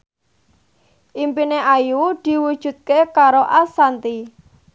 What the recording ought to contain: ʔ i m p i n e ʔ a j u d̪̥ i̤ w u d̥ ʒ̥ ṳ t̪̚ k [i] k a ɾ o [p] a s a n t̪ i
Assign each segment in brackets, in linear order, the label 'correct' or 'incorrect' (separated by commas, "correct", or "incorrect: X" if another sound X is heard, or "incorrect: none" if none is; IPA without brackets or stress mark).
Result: incorrect: e, incorrect: ʔ